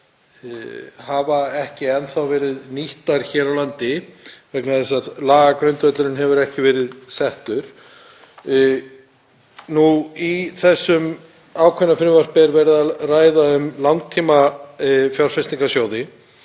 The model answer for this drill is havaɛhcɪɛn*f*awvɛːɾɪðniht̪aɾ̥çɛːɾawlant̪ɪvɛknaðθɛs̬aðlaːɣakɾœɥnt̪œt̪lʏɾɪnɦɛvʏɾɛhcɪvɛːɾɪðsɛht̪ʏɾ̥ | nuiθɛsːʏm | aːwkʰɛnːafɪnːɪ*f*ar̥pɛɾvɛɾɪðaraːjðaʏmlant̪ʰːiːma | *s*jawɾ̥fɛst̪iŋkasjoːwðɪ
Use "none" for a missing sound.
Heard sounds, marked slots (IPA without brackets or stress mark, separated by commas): θ, v, f